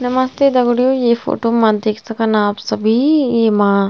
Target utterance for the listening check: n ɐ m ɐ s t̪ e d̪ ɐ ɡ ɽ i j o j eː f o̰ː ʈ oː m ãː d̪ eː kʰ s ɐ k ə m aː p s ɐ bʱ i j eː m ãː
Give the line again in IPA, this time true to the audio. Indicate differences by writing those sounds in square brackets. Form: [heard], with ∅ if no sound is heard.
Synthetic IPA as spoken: n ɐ m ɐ s t̪ e d̪ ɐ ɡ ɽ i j o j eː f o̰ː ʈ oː m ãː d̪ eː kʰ s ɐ k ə [n] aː p s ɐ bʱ i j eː m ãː